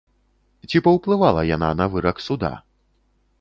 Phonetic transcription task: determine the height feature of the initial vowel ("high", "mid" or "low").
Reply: high